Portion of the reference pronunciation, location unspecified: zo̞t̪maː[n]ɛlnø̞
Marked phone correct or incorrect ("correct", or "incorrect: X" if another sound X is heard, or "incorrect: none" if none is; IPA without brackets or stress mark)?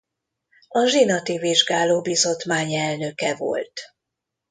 incorrect: ɲ